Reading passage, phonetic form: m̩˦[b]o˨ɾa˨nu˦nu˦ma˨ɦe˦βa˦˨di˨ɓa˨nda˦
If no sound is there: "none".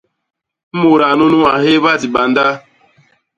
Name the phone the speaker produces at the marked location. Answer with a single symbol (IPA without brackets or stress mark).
m